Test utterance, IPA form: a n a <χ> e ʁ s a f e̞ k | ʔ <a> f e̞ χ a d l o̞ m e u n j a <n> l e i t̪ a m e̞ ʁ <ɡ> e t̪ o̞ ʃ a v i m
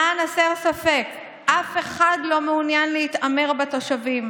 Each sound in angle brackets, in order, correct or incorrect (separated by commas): incorrect, correct, correct, incorrect